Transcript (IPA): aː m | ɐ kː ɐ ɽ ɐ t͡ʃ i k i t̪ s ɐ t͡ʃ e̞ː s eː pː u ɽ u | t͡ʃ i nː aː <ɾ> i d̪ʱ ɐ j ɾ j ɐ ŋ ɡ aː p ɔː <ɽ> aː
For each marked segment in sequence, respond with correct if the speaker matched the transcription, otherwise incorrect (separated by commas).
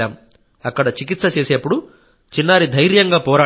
correct, incorrect